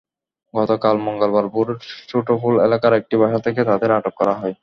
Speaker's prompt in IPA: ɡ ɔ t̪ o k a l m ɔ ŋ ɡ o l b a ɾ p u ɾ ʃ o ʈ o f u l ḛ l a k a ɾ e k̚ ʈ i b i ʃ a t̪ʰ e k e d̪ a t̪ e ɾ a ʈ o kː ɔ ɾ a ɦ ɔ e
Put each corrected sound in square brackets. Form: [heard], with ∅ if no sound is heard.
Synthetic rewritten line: ɡ ɔ t̪ o k a l m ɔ ŋ ɡ o l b a ɾ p u ɾ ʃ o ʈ o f u l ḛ l a k a ɾ e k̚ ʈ i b [a] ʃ a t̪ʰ e k e [t̪] a [d̪] e ɾ a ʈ o kː ɔ ɾ a ɦ ɔ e